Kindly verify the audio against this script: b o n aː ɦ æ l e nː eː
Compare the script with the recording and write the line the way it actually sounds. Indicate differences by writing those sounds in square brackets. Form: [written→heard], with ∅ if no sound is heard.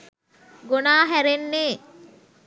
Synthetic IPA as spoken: [b→ɡ] o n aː ɦ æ [l→ɾ] e nː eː